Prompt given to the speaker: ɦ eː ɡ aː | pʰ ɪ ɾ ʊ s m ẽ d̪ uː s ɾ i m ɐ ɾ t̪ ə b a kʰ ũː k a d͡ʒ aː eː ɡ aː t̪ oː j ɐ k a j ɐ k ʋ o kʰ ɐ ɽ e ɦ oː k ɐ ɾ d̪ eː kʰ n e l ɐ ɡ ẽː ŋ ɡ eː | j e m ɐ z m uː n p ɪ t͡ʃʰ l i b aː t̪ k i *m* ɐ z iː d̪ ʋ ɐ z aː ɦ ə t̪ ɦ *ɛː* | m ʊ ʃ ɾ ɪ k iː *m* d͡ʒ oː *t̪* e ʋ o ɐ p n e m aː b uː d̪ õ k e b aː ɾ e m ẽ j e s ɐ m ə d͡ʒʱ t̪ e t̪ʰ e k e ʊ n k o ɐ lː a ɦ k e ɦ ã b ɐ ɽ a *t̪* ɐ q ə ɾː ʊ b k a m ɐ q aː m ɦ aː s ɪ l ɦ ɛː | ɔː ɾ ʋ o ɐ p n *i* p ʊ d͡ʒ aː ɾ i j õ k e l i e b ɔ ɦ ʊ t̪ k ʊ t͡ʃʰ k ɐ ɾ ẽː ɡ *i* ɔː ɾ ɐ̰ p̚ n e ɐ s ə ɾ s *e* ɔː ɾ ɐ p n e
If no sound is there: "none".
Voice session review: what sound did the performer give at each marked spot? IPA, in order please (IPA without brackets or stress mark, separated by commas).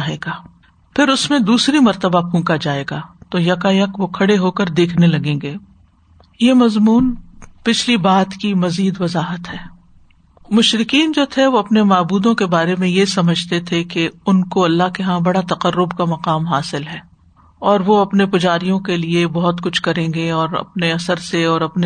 m, ɛː, n, t̪ʰ, t̪, e, e, e